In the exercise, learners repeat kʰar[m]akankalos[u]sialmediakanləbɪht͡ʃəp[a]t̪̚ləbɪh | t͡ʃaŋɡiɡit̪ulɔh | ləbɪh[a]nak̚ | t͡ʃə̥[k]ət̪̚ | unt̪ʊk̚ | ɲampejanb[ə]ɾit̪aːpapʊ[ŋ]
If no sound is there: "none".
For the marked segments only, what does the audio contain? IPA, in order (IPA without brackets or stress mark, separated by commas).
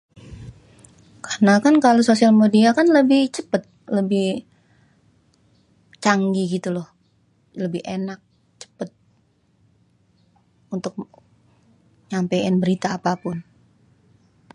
n, o, ə, e, p, ə, n